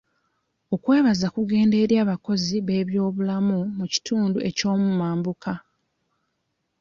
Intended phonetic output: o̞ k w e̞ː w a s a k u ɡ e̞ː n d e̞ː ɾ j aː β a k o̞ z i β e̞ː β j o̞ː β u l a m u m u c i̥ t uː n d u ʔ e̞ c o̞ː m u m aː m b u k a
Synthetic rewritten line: o̞ k w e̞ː β a z a k u ɡ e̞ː n d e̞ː ɾ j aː β a k o̞ z i β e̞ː β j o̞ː β u l a m u m u c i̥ t uː n d u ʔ e̞ c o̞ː m u m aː m b u k a